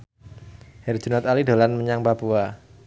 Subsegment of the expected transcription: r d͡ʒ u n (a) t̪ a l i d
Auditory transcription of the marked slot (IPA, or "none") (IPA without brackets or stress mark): a